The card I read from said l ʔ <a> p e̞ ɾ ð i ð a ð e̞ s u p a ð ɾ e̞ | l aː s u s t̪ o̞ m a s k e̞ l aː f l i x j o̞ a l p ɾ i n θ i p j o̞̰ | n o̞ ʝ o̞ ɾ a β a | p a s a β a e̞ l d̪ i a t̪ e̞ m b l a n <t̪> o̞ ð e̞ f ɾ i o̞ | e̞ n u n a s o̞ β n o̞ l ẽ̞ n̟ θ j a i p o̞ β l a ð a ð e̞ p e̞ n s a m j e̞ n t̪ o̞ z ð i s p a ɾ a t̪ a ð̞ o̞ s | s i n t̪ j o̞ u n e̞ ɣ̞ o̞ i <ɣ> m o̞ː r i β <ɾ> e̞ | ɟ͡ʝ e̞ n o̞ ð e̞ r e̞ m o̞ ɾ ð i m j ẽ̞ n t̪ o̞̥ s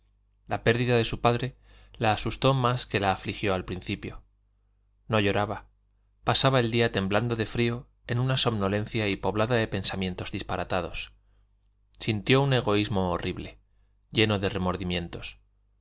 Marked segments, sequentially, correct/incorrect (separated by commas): correct, incorrect, incorrect, incorrect